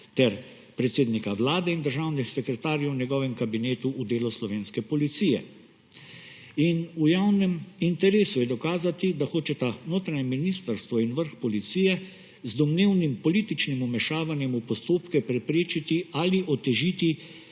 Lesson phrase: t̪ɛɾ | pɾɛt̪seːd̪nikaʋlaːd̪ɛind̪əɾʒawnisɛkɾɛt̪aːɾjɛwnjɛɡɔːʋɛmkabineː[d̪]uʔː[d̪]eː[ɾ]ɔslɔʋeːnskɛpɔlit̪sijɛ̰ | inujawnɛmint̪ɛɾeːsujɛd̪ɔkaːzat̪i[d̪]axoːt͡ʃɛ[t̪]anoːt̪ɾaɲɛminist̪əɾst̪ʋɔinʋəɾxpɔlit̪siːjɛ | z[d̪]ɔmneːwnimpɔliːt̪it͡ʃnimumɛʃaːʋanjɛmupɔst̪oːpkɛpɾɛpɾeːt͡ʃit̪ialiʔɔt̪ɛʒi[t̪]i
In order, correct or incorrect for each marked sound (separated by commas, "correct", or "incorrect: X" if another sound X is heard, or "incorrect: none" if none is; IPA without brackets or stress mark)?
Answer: incorrect: t̪, correct, incorrect: l, correct, correct, correct, correct